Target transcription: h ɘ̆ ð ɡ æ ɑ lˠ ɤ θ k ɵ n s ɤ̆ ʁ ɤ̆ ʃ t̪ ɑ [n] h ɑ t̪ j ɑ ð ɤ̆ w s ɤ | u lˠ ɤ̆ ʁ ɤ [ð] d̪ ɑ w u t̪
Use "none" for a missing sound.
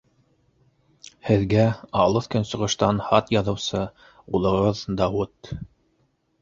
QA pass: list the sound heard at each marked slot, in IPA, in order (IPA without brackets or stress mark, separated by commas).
n, ð